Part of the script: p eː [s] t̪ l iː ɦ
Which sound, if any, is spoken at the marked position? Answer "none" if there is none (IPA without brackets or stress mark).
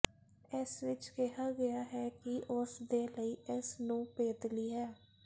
none